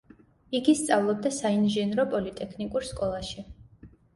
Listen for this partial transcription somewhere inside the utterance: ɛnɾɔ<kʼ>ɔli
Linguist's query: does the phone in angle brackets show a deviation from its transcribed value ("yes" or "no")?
yes